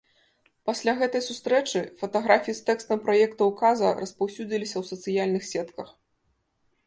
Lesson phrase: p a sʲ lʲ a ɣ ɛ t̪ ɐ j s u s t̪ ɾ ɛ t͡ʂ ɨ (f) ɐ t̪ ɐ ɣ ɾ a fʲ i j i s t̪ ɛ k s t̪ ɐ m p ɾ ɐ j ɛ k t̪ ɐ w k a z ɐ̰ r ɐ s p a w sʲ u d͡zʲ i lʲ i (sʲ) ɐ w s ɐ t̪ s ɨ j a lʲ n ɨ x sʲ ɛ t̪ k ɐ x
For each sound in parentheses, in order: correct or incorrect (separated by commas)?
correct, correct